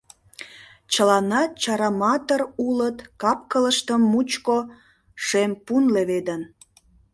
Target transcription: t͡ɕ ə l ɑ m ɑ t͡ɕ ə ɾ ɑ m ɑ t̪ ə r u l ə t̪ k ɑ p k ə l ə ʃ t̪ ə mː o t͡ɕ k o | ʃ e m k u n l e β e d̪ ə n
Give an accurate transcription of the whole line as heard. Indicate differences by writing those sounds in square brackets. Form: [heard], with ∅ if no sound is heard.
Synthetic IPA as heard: t͡ɕ ə l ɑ [n] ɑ t͡ɕ [ɑ] ɾ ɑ m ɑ t̪ ə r u l ə t̪ k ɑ p k ə l ə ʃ t̪ ə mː [u] t͡ɕ k o | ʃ e m [p] u n l e β e d̪ ə n